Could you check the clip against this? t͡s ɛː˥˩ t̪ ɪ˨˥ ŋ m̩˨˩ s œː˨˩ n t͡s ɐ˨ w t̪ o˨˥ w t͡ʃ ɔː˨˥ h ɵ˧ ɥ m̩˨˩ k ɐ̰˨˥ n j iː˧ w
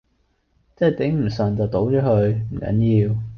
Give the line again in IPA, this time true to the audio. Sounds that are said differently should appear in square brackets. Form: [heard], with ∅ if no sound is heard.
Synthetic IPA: t͡s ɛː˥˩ t̪ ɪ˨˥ ŋ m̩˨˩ s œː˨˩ n t͡s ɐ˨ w t̪ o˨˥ w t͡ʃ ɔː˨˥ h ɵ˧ ɥ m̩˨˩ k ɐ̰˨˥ n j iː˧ w